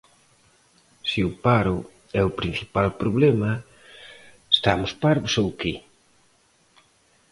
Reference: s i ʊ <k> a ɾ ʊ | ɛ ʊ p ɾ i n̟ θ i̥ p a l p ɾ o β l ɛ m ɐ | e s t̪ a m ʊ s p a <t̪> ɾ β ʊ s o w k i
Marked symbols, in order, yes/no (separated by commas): no, no